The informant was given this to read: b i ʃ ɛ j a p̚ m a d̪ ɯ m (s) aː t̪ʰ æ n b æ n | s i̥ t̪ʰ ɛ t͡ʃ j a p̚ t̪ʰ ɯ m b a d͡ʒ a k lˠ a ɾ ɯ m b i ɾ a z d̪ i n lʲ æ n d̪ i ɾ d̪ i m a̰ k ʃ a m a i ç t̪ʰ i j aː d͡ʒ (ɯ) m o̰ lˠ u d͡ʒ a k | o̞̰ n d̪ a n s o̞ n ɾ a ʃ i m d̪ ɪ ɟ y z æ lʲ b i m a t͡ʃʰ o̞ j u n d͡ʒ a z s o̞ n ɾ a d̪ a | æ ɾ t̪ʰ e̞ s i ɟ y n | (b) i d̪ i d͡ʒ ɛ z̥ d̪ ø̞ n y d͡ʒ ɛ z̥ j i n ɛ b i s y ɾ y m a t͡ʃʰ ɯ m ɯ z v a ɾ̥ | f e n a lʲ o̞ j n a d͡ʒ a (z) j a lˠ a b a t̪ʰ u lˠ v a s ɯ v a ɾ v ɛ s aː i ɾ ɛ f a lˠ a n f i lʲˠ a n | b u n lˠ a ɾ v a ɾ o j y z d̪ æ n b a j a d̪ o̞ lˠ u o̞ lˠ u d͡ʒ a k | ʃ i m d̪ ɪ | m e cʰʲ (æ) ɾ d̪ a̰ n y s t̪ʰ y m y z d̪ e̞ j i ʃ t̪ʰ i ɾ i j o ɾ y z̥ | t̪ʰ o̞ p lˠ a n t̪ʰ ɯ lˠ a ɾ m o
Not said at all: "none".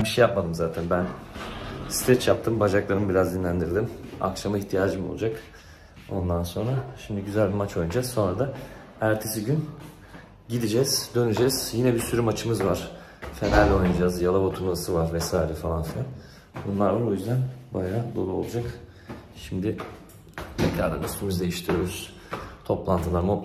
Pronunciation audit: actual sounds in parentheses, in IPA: z, ɯ, ɟ, z, a

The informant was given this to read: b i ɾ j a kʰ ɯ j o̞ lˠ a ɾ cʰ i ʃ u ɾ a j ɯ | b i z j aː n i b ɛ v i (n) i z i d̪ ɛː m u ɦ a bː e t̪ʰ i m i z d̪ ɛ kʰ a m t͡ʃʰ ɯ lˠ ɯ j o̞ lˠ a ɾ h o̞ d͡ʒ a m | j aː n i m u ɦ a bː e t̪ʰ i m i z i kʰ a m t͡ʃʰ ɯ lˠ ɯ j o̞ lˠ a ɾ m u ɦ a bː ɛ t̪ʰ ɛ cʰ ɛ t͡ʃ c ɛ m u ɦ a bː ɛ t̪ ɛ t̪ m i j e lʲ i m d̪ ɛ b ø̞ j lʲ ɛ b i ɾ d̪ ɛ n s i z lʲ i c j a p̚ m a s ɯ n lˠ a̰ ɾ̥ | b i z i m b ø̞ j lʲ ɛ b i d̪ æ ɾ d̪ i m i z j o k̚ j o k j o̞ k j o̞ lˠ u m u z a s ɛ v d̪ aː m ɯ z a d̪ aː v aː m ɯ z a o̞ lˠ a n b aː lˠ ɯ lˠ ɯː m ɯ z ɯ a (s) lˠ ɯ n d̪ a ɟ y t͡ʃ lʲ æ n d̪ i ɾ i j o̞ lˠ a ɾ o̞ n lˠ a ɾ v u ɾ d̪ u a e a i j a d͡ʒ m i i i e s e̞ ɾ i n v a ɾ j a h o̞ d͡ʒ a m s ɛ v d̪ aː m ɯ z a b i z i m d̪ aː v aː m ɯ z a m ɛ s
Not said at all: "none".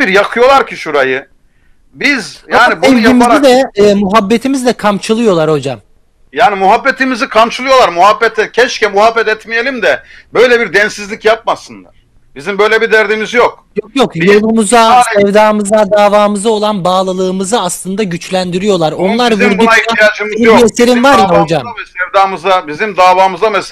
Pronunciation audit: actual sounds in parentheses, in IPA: m, s

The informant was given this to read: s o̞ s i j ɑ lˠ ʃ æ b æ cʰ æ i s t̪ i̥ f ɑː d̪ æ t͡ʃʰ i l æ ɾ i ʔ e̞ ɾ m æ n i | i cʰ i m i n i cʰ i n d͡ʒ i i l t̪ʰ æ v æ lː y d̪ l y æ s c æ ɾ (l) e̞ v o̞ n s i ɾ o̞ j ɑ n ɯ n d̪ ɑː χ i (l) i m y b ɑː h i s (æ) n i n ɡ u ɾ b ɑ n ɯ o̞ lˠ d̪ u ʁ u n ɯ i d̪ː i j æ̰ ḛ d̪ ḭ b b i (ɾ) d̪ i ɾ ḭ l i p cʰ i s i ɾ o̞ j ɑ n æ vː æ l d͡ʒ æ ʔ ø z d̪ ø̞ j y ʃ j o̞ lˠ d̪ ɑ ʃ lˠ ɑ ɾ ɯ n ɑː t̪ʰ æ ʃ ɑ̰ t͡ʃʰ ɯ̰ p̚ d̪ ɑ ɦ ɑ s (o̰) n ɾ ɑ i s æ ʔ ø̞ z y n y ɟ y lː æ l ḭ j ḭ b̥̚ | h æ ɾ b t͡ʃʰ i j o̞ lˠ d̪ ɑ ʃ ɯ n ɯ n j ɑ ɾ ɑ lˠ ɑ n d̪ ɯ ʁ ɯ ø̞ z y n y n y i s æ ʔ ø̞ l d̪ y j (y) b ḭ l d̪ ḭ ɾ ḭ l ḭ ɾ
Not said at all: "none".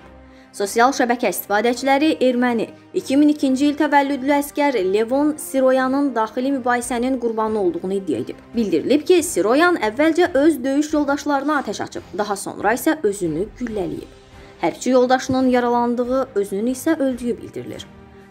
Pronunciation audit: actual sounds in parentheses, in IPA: l, l, æ, l, o̰, y

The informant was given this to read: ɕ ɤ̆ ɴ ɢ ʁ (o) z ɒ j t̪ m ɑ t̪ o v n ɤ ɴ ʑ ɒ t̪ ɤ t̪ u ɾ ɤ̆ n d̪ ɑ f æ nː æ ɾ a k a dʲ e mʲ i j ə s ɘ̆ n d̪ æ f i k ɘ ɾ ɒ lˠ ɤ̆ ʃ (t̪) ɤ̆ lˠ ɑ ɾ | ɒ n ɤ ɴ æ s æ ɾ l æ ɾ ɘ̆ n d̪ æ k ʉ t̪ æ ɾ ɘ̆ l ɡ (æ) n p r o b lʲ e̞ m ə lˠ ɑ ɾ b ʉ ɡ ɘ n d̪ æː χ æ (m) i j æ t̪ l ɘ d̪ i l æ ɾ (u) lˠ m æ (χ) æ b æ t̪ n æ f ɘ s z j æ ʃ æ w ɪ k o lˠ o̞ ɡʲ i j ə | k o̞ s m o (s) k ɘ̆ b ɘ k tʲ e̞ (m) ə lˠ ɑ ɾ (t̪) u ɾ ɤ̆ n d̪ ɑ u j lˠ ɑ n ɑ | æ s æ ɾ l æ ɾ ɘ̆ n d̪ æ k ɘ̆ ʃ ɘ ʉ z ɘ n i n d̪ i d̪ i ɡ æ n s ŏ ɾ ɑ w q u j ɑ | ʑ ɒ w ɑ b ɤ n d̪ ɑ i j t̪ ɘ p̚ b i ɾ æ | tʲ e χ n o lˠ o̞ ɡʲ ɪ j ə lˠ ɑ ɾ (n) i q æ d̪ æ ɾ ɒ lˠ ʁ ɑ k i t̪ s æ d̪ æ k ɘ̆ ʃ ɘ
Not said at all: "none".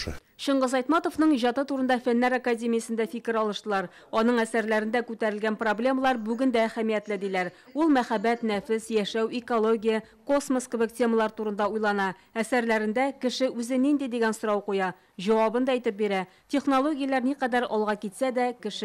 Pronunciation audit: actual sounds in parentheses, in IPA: ɤ, t̪, æ, m, u, χ, s, m, t̪, n

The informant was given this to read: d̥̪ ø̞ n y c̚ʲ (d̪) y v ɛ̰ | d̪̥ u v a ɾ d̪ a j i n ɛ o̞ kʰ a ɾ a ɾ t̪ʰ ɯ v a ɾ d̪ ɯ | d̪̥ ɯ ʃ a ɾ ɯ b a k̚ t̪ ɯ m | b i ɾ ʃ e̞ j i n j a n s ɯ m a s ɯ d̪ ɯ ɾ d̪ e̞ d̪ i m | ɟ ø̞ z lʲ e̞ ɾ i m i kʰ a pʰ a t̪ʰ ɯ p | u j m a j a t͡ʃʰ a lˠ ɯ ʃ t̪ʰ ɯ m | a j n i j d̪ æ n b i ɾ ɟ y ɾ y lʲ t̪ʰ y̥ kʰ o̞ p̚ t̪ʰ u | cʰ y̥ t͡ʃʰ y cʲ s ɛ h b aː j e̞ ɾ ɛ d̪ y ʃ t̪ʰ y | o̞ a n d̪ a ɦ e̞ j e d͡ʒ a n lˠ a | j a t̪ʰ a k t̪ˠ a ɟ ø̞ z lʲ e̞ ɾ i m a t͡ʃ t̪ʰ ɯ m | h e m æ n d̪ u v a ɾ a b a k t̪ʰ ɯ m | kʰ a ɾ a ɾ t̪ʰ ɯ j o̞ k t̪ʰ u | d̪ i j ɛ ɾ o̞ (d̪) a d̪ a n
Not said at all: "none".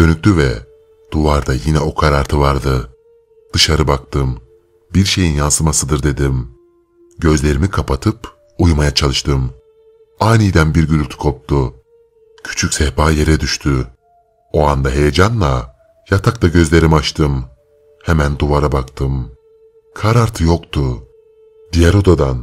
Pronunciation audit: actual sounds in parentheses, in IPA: t̪, d̪

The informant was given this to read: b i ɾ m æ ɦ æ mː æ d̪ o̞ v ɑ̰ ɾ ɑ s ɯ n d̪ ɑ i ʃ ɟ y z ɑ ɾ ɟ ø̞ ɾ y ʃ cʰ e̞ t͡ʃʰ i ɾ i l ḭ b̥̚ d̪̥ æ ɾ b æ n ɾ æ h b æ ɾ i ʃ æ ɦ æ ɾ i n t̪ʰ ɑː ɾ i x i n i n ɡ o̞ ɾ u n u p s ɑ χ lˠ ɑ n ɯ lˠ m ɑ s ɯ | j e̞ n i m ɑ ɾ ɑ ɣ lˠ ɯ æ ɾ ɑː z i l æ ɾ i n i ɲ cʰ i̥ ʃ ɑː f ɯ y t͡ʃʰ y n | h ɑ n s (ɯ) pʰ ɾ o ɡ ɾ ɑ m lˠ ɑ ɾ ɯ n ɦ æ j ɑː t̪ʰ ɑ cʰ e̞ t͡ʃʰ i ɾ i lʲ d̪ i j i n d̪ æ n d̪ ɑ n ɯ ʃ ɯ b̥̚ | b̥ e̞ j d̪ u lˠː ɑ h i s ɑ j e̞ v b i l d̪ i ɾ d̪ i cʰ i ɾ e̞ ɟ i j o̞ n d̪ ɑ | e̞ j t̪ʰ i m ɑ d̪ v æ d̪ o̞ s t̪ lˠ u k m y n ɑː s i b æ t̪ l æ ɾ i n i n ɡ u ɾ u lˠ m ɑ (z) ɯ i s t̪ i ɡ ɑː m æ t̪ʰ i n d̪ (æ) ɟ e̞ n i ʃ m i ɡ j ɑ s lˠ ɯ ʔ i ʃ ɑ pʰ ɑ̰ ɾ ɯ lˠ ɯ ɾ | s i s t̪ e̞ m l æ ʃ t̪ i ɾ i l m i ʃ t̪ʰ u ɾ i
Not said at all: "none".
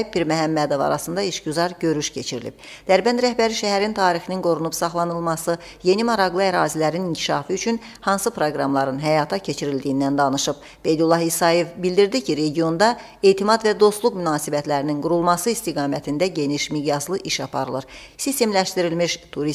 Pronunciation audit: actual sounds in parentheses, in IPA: ɯ, s, æ

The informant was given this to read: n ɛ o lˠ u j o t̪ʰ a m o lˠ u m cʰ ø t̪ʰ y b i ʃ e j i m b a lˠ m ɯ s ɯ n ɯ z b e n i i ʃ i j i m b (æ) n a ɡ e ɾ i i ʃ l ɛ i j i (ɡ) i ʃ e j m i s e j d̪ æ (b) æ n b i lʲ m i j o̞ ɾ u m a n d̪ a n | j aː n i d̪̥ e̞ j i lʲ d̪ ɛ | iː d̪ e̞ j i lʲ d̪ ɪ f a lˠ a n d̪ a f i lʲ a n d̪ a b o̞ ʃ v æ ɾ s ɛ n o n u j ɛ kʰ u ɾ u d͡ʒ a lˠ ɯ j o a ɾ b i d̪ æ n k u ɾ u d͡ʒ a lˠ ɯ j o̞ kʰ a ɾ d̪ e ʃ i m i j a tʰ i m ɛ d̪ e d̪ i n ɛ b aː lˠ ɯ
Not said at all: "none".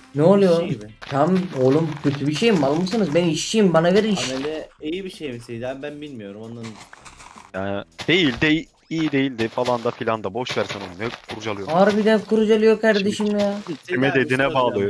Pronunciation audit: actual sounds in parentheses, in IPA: a, b, b

